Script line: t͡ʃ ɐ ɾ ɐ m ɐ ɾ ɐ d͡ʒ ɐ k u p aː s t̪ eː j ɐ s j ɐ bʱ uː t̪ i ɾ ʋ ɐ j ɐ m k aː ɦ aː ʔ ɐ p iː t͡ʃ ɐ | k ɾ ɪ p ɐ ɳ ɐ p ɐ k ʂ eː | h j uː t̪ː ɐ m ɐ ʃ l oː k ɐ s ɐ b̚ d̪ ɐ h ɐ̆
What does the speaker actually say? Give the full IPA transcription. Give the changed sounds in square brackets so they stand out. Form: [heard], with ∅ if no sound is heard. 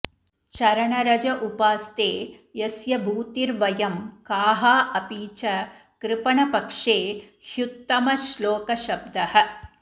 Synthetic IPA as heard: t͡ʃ ɐ ɾ ɐ [ɳ] ɐ ɾ ɐ d͡ʒ ɐ [ʔ] u p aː s t̪ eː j ɐ s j ɐ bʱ uː t̪ i ɾ ʋ ɐ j ɐ m k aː ɦ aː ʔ ɐ p iː t͡ʃ ɐ | k ɾ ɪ p ɐ ɳ ɐ p ɐ k ʂ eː | h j [u] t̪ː ɐ m ɐ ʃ l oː k ɐ [ʃ] ɐ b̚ d̪ ɐ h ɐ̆

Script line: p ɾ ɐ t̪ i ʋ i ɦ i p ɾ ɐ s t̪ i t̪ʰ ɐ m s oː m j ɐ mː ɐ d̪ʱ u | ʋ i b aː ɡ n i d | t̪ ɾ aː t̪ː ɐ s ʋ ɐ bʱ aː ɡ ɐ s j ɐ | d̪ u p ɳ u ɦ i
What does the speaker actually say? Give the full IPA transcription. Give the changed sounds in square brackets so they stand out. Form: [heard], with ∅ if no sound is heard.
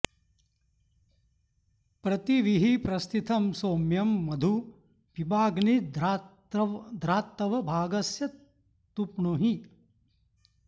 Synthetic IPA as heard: p ɾ ɐ t̪ i ʋ i ɦ i p ɾ ɐ s t̪ i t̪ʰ ɐ m s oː m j ɐ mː ɐ d̪ʱ u | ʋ i b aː ɡ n i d | [d̪] ɾ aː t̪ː ɐ [∅] ʋ ɐ bʱ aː ɡ ɐ s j ɐ | [t̪] u p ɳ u ɦ i

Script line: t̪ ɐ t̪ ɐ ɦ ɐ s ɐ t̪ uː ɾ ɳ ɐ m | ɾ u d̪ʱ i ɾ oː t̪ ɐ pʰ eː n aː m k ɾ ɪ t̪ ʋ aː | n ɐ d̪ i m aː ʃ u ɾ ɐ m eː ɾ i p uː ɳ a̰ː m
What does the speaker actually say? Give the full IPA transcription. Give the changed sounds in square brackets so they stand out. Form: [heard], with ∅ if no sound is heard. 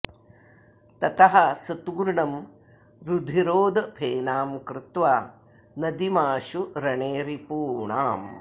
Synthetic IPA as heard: t̪ ɐ t̪ ɐ ɦ ɐ s ɐ t̪ uː ɾ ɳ ɐ m | ɾ u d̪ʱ i ɾ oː [d̪] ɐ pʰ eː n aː m k ɾ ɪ t̪ ʋ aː | n ɐ d̪ i m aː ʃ u ɾ ɐ [ɳ] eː ɾ i p uː ɳ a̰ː m

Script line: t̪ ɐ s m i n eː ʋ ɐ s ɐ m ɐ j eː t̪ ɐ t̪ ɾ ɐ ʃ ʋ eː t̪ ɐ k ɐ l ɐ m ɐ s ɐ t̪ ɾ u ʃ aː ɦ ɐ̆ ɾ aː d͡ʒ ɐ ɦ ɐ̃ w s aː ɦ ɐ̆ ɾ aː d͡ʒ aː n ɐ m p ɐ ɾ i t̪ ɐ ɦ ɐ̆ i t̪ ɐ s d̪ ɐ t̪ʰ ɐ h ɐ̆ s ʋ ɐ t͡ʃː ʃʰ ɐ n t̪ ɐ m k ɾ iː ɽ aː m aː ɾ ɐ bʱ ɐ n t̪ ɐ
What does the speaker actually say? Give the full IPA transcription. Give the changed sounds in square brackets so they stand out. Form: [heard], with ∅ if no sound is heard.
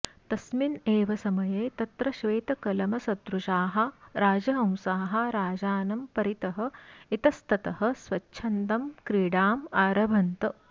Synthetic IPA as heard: t̪ ɐ s m i n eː ʋ ɐ s ɐ m ɐ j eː t̪ ɐ t̪ ɾ ɐ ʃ ʋ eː t̪ ɐ k ɐ l ɐ m ɐ s ɐ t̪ ɾ u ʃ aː ɦ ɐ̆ ɾ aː d͡ʒ ɐ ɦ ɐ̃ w s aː ɦ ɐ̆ ɾ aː d͡ʒ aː n ɐ m p ɐ ɾ i t̪ ɐ ɦ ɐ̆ i t̪ ɐ s [t̪] ɐ [t̪] ɐ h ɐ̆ s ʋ ɐ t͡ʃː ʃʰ ɐ n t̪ ɐ m k ɾ iː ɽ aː m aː ɾ ɐ bʱ ɐ n t̪ ɐ

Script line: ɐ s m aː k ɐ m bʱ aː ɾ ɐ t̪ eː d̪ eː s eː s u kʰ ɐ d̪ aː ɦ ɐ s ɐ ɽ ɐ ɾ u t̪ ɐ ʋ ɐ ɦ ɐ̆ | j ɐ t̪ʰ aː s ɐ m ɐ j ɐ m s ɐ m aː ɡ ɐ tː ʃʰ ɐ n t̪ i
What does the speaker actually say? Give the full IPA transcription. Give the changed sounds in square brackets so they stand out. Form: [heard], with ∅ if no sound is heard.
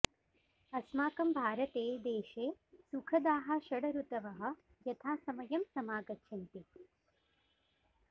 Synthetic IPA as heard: ɐ s m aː k ɐ m bʱ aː ɾ ɐ t̪ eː d̪ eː [ʃ] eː s u kʰ ɐ d̪ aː ɦ ɐ [ʃ] ɐ ɽ ɐ ɾ u t̪ ɐ ʋ ɐ ɦ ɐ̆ | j ɐ t̪ʰ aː s ɐ m ɐ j ɐ m s ɐ m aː ɡ ɐ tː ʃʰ ɐ n t̪ i

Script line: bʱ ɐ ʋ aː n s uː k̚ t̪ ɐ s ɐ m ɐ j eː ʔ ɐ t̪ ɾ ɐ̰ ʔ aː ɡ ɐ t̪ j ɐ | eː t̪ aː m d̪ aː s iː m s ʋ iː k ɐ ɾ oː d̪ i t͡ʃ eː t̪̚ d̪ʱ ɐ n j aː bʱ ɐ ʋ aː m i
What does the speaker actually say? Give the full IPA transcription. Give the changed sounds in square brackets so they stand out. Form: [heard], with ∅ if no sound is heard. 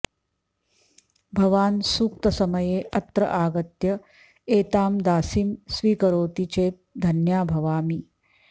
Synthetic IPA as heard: bʱ ɐ ʋ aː n s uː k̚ t̪ ɐ s ɐ m ɐ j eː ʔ ɐ t̪ ɾ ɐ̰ ʔ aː ɡ ɐ t̪ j ɐ | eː t̪ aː m d̪ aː s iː m s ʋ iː k ɐ ɾ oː [t̪] i t͡ʃ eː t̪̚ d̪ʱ ɐ n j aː bʱ ɐ ʋ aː m i

